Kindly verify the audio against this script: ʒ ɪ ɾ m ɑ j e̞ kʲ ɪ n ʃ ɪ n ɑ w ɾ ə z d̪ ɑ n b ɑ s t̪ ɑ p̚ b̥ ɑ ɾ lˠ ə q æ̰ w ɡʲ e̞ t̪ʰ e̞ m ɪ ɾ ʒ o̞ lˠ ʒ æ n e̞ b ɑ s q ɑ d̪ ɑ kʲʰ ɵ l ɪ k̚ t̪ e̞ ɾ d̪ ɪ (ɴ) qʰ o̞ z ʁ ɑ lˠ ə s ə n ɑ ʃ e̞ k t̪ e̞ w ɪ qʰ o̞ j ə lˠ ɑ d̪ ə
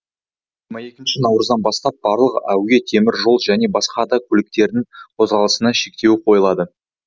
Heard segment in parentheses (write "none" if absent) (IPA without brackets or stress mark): ŋ